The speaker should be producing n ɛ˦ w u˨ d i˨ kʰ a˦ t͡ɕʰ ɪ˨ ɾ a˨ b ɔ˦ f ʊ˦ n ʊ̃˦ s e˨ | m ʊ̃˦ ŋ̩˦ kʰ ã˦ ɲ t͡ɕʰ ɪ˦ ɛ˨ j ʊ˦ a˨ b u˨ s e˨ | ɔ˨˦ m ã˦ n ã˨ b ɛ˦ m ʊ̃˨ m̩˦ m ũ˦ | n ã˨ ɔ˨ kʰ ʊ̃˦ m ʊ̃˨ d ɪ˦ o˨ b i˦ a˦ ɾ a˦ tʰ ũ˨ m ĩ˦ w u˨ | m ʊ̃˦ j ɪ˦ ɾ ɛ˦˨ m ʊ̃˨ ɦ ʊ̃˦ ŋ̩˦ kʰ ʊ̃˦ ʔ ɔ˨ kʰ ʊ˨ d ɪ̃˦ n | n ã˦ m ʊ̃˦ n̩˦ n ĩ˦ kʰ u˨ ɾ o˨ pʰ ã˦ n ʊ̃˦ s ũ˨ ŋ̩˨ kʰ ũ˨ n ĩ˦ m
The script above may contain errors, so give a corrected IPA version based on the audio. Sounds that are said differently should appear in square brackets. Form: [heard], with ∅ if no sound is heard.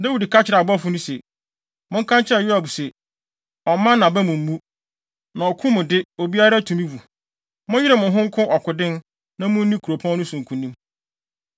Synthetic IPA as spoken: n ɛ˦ w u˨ d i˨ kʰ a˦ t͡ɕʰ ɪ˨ ɾ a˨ b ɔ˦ f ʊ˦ n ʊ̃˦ s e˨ | m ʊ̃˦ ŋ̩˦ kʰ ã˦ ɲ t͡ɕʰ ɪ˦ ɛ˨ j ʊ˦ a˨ b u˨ s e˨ | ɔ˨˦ m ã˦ n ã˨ b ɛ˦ m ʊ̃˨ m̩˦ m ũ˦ | n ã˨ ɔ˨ kʰ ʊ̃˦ m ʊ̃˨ d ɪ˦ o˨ b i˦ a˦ ɾ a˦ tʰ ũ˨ m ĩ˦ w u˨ | m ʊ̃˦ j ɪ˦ ɾ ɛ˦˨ m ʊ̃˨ ɦ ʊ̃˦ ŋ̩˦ kʰ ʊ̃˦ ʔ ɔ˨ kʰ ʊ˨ d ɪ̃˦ n | n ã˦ m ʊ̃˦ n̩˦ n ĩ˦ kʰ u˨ ɾ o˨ pʰ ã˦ n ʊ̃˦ s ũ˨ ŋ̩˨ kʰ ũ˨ n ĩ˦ m